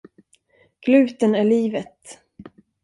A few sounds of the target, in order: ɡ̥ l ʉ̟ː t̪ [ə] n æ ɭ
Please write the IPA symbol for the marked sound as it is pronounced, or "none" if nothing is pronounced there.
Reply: ə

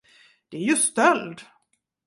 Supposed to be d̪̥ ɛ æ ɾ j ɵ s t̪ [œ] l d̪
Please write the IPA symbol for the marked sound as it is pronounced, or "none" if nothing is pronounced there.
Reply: œ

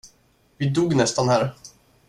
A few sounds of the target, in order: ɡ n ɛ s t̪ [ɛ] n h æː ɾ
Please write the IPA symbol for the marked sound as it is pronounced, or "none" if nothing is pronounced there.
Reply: a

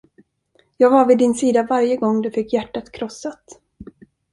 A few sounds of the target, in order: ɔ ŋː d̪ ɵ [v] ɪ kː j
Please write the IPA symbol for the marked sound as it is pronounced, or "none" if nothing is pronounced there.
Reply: f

